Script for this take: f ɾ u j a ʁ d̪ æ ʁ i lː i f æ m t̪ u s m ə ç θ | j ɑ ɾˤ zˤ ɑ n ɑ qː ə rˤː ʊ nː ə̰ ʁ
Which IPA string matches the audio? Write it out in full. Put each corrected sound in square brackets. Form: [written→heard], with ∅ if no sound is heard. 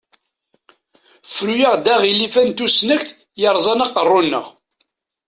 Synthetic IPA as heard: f ɾ u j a ʁ d̪ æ ʁ i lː i f æ [m→n] t̪ u s [m→n] ə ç θ | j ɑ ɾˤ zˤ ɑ n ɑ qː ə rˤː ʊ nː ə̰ ʁ